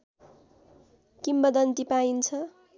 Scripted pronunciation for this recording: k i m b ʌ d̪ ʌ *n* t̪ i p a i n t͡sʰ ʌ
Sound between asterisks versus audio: correct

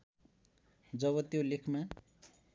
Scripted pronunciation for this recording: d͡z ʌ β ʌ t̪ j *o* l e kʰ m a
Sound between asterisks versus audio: correct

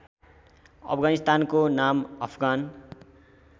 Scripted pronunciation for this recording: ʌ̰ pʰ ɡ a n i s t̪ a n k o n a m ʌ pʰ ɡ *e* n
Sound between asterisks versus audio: incorrect: a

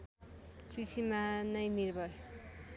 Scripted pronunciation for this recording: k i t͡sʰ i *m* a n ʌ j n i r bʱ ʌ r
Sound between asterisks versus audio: correct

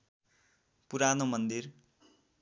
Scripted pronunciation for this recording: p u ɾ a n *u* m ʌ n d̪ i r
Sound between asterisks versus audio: incorrect: o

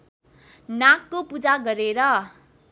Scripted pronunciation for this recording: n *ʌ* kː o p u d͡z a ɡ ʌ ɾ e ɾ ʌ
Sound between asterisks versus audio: incorrect: a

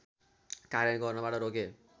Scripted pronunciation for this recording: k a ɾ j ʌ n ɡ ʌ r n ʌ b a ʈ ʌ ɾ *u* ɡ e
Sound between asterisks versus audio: incorrect: o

